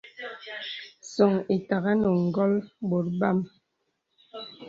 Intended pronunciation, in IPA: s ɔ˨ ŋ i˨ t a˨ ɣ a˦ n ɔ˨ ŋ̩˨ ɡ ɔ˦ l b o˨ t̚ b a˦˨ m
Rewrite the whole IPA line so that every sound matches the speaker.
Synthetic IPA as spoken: s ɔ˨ ŋ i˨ t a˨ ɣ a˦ n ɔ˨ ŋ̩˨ ɡ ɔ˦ l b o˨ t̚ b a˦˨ m